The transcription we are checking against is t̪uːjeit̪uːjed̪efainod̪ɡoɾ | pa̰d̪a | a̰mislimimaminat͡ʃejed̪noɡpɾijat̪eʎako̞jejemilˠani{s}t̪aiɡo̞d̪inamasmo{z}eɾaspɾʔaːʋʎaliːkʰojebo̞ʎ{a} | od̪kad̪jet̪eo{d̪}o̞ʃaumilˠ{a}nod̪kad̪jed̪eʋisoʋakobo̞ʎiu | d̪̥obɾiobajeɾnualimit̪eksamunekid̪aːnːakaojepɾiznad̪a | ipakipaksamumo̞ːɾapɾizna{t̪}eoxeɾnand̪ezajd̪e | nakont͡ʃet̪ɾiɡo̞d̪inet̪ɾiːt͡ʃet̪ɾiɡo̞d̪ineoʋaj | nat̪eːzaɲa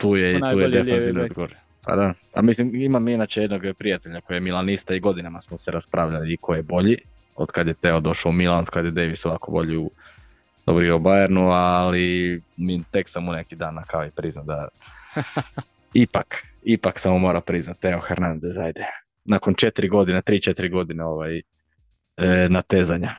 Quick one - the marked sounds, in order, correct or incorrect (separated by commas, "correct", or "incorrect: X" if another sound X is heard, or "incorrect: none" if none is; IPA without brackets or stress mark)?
correct, incorrect: s, incorrect: i, correct, correct, correct